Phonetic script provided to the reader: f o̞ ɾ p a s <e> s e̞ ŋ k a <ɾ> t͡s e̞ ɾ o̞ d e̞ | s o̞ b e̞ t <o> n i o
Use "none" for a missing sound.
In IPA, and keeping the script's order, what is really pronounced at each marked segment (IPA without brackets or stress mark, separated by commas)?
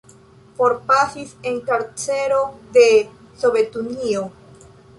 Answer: i, ɾ, u